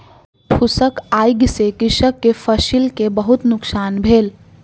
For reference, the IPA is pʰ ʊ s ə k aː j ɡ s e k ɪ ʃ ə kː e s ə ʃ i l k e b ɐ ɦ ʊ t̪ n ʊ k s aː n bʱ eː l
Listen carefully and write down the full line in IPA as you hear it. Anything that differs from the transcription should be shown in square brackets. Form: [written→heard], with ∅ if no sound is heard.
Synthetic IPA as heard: pʰ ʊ s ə k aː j ɡ s e k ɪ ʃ ə kː e [s→f] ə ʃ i l k e b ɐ ɦ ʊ t̪ n ʊ k s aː n bʱ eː l